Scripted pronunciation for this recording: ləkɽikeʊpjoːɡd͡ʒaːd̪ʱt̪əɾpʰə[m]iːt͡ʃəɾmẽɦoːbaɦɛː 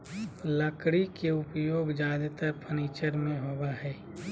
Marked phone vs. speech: incorrect: n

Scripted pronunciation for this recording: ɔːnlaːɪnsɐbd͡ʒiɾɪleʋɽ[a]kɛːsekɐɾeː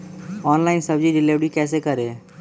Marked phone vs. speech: incorrect: i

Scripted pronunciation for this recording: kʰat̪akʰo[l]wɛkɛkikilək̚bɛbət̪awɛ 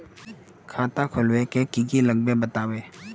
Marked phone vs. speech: correct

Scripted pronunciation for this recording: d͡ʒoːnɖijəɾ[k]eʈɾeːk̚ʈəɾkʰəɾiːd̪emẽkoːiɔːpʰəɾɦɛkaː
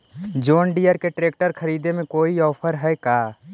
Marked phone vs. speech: correct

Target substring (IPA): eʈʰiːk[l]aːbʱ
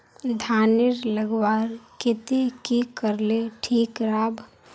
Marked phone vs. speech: incorrect: ɾ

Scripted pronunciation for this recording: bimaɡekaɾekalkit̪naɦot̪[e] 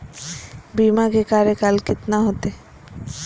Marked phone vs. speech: correct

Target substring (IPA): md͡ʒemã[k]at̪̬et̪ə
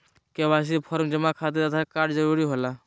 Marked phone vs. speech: incorrect: kʰ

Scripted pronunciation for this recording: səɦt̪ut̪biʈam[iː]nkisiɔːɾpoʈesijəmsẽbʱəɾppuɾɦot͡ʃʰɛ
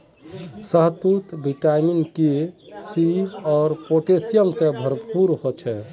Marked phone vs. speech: incorrect: i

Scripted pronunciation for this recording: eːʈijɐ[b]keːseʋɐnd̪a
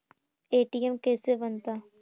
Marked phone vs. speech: incorrect: m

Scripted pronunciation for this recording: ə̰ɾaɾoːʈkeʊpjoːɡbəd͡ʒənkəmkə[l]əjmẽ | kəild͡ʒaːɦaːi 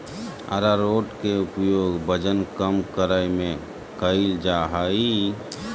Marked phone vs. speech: incorrect: ɾ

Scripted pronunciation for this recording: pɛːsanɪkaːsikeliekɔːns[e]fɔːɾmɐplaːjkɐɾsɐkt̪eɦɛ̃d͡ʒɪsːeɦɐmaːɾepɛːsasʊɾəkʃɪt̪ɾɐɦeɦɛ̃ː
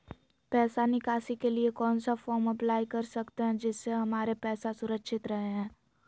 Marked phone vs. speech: incorrect: a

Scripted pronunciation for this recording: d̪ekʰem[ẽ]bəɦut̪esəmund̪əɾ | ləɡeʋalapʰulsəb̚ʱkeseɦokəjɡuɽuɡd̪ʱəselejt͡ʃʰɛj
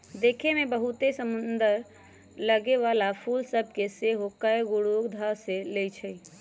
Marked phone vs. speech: incorrect: e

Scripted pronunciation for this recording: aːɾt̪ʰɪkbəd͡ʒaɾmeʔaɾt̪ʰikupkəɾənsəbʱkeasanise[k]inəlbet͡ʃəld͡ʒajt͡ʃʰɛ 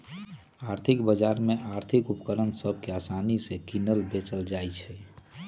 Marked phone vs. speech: correct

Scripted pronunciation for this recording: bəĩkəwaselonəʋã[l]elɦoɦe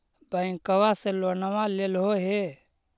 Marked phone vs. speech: correct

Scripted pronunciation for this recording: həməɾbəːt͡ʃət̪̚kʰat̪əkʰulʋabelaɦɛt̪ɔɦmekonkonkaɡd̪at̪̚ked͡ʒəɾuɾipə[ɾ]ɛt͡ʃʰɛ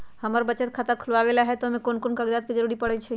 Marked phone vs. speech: incorrect: ɽ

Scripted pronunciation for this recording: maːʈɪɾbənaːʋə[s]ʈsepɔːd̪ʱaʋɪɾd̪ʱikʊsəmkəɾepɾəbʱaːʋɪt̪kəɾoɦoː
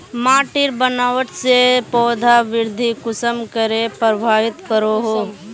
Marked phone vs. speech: incorrect: none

